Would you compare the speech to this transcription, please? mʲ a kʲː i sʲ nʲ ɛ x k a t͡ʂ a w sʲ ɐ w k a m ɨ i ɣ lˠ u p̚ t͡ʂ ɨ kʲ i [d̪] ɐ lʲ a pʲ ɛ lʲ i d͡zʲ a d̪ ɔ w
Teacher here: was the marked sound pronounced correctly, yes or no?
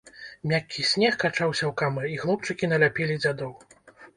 no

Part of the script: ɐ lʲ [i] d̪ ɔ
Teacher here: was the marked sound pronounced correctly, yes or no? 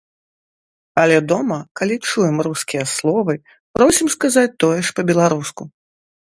no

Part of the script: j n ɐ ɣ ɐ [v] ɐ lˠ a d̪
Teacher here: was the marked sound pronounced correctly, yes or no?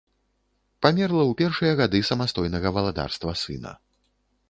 yes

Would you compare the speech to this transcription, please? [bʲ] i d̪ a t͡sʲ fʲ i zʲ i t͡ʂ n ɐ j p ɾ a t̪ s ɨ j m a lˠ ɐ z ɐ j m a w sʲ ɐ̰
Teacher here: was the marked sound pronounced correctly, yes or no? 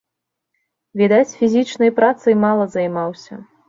no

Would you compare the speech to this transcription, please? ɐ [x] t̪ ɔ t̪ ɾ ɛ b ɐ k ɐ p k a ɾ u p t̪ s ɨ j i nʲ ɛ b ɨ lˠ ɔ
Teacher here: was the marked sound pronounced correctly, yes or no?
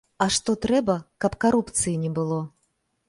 no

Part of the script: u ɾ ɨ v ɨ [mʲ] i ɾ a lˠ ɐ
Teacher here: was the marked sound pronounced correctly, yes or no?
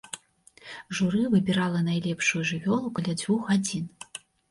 no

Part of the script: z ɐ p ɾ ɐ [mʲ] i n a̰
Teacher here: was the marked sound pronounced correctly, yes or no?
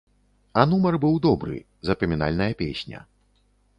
yes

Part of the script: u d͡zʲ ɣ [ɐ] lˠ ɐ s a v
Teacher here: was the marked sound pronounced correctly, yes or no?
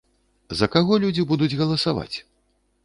yes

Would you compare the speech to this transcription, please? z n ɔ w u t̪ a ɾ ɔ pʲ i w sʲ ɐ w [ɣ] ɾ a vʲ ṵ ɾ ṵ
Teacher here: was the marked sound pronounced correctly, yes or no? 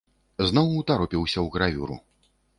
yes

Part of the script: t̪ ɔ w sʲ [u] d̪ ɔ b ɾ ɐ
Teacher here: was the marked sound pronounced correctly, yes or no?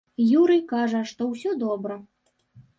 no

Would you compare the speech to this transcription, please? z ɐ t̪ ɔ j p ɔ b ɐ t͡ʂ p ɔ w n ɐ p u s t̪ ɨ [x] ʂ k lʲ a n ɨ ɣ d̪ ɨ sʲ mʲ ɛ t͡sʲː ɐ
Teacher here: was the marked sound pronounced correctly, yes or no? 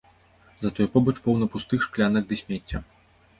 yes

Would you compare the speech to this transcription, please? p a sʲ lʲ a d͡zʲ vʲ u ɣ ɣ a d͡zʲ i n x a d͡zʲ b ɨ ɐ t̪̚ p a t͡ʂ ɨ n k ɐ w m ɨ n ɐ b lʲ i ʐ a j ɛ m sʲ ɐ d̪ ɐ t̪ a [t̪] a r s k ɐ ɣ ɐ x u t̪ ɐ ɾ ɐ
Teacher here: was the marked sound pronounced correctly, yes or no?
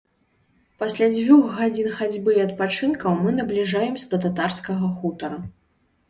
yes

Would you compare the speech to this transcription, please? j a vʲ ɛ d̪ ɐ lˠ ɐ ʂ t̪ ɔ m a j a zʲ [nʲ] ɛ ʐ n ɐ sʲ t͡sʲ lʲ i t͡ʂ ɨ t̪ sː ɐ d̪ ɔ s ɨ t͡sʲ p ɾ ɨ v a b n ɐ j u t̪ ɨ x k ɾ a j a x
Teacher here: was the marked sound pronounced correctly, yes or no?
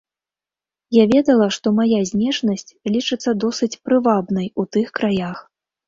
yes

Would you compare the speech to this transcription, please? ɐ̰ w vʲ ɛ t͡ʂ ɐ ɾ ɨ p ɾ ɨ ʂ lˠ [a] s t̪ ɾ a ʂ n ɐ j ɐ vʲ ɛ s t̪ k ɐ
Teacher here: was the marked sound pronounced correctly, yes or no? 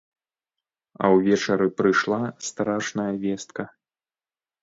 yes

